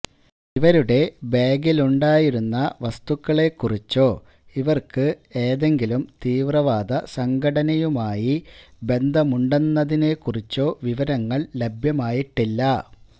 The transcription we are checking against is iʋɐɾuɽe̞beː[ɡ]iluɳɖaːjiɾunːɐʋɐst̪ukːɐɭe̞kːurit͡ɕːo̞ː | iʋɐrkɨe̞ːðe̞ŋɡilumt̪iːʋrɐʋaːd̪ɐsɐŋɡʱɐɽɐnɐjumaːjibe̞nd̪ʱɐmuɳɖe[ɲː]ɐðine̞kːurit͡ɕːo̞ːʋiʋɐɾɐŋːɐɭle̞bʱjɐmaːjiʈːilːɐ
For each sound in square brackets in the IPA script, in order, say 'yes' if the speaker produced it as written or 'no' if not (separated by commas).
yes, no